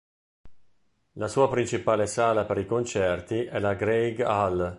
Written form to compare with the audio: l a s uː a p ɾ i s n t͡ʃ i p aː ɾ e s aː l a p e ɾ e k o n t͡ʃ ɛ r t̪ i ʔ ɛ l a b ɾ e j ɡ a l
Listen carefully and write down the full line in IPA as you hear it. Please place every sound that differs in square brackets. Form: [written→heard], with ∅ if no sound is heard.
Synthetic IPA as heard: l a s uː a p ɾ i [s→∅] n t͡ʃ i p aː [ɾ→l] e s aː l a p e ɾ [e→i] k o n t͡ʃ ɛ r t̪ i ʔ ɛ l a [b→ɡ] ɾ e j ɡ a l